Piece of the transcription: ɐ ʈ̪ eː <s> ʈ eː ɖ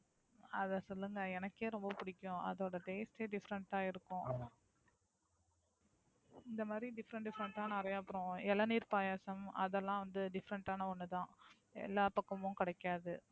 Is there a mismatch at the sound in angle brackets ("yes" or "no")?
no